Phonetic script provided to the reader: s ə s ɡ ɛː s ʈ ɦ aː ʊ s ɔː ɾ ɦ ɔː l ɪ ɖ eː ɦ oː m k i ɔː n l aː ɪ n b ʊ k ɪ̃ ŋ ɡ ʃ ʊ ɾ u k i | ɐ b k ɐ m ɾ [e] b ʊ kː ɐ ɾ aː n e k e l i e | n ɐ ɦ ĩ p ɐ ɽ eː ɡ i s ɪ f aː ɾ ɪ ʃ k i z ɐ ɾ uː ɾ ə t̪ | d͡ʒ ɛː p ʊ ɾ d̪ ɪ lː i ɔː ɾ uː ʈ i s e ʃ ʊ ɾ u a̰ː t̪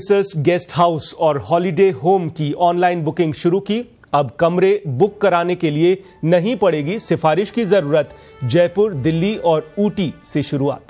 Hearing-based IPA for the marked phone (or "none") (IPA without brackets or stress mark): e